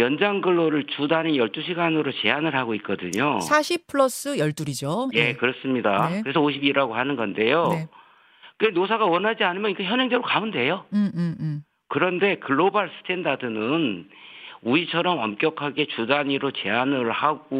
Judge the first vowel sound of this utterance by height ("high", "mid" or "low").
mid